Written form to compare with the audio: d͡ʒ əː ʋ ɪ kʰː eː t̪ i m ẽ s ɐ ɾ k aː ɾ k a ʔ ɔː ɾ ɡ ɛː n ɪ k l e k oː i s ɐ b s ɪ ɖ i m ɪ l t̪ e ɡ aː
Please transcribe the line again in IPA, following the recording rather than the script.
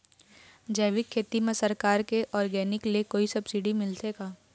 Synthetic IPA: d͡ʒ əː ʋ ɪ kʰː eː t̪ i m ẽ s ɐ ɾ k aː ɾ k e ʔ ɔː ɾ ɡ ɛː n ɪ k l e k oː i s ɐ b s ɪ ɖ i m ɪ l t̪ e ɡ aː

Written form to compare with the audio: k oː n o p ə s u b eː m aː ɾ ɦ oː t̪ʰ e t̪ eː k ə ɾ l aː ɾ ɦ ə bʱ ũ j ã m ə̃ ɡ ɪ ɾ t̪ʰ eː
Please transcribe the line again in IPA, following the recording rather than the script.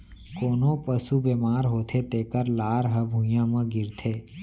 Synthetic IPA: k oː n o p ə s u b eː m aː ɾ ɦ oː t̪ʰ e t̪ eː k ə ɾ l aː ɾ ɦ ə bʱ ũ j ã m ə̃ ɡ ɪ ɾ t̪ʰ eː

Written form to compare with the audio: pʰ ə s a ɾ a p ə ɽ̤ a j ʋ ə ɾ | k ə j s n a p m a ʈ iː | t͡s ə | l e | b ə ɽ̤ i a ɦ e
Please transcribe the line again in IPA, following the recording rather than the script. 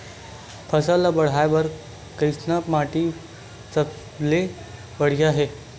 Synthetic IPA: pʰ ə s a l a b ə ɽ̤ a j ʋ ə ɾ | k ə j s n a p m a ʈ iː | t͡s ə | l e | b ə ɽ̤ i a ɦ e

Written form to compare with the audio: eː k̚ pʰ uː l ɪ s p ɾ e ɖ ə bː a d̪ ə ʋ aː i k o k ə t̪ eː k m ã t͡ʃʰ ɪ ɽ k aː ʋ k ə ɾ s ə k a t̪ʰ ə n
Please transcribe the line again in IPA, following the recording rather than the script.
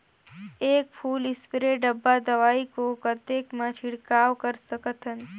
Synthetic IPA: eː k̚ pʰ uː l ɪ s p ɾ e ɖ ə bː a d̪ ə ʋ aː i k o k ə t̪ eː k m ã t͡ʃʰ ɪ ɽ k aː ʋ k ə ɾ s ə k ə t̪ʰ ə n

